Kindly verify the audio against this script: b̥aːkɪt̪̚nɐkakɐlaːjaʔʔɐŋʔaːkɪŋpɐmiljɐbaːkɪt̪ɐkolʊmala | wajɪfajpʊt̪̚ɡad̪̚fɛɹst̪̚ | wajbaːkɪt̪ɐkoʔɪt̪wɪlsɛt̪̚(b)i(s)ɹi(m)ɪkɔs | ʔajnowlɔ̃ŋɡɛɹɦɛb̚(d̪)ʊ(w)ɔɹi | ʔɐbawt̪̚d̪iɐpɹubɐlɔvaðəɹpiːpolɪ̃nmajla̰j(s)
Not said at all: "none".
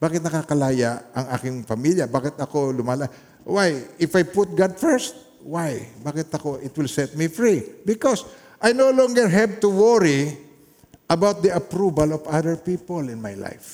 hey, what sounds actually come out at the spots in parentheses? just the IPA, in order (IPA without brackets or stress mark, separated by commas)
m, f, b, t̪, w, f